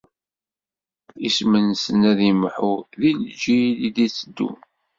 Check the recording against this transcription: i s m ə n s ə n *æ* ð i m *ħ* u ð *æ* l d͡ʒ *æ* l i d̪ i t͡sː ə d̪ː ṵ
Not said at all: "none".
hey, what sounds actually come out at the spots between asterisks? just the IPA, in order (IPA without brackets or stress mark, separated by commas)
æ, ħ, i, i